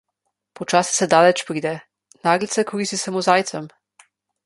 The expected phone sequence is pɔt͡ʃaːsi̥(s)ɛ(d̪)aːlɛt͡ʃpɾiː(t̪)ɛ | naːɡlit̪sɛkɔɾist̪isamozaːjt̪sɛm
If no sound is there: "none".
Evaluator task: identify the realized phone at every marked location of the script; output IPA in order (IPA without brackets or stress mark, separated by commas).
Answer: s, d̪, d̪